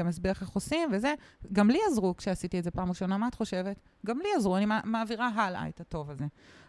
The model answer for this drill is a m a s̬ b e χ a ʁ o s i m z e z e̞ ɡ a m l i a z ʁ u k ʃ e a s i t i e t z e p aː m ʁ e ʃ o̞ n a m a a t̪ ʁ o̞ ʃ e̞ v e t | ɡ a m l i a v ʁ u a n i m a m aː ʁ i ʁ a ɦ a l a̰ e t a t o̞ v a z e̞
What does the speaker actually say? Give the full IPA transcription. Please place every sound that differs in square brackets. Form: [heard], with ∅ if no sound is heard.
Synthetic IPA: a m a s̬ b e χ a [χ] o s i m [v] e z e̞ ɡ a m l i a z ʁ u k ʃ e a s i t i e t z e p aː m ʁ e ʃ o̞ n a m a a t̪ [χ] o̞ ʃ e̞ v e t | ɡ a m l i a [z] ʁ u a n i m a m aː [v] i ʁ a ɦ a l a̰ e t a t o̞ v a z e̞